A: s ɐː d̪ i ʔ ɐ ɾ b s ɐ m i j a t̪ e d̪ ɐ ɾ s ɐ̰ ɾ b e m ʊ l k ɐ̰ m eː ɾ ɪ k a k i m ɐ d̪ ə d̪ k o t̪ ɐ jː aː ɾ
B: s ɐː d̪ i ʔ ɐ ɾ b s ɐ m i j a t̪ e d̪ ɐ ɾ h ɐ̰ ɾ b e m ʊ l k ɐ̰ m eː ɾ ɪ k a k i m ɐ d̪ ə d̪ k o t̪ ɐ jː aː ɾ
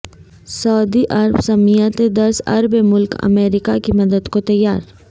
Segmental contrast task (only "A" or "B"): A